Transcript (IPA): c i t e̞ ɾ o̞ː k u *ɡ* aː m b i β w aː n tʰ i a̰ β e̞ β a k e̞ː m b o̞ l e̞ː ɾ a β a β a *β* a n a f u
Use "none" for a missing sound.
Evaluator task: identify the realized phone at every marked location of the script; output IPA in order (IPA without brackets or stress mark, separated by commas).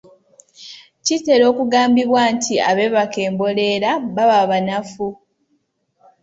ɡ, β